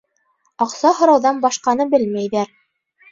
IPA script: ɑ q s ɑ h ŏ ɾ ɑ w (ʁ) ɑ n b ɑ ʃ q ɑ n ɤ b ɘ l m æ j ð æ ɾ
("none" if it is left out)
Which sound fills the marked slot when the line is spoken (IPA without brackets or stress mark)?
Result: ð